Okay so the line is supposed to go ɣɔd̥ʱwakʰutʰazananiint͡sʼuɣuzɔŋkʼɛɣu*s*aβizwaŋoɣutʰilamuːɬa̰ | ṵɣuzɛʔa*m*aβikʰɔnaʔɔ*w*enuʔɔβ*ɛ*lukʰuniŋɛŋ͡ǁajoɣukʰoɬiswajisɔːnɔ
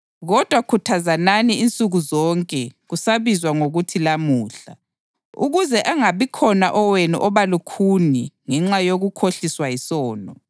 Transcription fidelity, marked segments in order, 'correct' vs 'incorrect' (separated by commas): correct, incorrect, correct, incorrect